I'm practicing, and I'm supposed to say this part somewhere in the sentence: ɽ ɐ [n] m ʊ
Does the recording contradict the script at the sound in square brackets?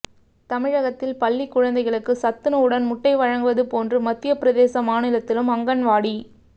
no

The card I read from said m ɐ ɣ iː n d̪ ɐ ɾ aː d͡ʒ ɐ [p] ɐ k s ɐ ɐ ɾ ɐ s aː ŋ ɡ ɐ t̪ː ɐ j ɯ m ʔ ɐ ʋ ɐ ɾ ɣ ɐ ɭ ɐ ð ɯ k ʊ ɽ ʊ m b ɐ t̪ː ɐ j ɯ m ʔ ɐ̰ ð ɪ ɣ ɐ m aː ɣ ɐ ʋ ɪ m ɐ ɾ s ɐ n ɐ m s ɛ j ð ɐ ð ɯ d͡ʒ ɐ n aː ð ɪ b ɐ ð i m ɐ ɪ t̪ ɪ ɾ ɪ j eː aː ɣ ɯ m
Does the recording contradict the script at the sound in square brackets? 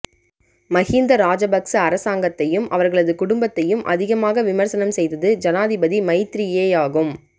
yes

